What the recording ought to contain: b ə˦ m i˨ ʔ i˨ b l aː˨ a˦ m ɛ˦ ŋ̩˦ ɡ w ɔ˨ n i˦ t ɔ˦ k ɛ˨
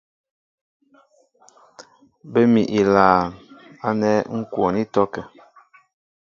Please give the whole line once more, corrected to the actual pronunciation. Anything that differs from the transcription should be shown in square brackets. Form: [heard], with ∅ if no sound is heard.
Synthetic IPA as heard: b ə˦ m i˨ ʔ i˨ [∅] l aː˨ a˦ [n] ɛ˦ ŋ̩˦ [k] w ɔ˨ n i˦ t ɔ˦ k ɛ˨